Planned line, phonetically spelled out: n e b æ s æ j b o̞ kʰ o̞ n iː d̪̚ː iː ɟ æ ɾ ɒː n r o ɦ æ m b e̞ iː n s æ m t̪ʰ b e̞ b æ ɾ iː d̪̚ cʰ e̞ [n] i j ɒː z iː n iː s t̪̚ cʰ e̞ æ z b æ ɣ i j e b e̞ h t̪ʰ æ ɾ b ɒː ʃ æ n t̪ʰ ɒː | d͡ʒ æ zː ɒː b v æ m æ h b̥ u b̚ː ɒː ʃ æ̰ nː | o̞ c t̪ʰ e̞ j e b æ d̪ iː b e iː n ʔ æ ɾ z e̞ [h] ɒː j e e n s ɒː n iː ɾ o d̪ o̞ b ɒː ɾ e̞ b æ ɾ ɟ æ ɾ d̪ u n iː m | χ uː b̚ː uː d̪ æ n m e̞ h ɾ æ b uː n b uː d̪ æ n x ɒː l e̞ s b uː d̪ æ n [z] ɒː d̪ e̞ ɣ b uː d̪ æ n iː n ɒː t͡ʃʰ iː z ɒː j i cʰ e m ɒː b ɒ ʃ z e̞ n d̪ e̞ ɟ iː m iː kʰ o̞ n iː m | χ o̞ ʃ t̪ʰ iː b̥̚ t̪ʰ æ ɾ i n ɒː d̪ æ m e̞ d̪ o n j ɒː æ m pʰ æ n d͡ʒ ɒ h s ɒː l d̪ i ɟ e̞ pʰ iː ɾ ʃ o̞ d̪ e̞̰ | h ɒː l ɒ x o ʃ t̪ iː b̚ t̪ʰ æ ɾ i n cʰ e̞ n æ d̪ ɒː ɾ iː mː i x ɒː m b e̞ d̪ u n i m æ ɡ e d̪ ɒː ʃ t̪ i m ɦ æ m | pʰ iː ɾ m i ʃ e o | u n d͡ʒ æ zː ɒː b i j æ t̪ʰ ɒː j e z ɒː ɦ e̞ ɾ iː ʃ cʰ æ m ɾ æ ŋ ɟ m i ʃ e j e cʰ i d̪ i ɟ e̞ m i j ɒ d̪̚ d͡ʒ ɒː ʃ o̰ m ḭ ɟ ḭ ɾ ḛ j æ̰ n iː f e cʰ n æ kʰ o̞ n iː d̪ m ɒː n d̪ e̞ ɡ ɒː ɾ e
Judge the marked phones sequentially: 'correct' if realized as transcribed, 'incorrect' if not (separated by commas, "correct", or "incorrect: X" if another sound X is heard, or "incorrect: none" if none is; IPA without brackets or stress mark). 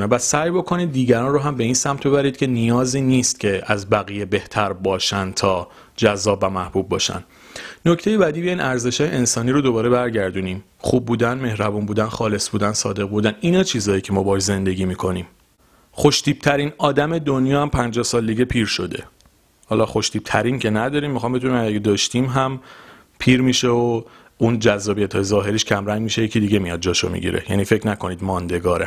correct, incorrect: ʃ, incorrect: s